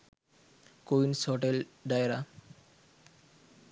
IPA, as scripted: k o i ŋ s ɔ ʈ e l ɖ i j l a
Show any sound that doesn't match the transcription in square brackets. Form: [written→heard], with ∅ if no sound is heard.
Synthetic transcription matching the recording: k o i [ŋ→n] s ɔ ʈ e l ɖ [i→a] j [l→ɾ] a